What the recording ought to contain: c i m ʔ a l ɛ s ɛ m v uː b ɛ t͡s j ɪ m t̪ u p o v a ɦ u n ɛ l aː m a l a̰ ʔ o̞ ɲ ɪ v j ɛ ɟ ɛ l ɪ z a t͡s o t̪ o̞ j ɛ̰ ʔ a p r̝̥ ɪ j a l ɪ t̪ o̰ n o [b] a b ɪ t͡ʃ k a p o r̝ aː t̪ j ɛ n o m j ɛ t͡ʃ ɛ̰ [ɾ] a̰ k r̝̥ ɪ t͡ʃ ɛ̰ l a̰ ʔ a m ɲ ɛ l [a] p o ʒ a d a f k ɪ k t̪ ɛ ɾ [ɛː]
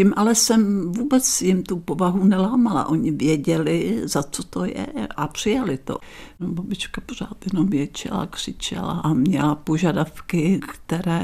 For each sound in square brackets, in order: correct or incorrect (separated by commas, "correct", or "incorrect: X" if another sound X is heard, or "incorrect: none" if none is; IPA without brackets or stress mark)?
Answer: correct, incorrect: l, correct, correct